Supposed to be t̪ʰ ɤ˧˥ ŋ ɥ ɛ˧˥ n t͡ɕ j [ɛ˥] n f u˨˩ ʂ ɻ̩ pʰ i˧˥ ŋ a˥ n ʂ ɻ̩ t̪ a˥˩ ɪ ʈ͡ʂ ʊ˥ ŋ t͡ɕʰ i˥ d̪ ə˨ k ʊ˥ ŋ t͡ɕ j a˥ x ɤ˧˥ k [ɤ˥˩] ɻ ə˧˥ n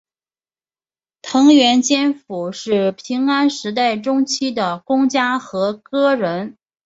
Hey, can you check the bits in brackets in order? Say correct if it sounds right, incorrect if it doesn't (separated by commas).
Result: correct, incorrect